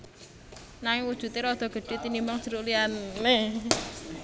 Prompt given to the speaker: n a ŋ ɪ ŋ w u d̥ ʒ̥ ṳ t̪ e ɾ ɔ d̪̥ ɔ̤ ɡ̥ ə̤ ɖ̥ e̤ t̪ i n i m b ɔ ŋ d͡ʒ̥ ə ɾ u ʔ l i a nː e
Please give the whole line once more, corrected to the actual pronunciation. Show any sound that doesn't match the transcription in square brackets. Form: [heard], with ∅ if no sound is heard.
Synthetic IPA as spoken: n a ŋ ɪ ŋ w u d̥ ʒ̥ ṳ t̪ e ɾ ɔ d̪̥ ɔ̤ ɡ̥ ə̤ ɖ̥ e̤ t̪ i n i m b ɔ ŋ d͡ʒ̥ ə ɾ u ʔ l i a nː e